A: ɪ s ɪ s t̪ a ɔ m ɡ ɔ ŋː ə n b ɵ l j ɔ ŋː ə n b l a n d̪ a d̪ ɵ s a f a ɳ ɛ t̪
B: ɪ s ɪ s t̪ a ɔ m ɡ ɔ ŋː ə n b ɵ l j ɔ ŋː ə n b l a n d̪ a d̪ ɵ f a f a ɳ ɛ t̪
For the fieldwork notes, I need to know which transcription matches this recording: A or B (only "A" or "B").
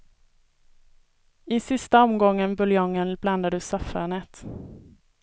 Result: A